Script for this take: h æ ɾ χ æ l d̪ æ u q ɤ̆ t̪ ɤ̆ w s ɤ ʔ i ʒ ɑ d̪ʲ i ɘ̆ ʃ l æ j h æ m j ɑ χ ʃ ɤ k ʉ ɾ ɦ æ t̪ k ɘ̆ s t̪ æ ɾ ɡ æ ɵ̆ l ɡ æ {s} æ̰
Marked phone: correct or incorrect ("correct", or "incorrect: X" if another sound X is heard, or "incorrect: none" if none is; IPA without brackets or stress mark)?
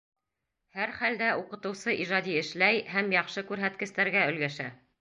incorrect: ʃ